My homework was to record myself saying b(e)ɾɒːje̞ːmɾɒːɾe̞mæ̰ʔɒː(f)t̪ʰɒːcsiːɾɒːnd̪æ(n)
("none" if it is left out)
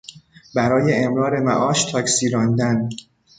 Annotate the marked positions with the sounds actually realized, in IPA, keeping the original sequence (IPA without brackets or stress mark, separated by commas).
æ, ʃ, n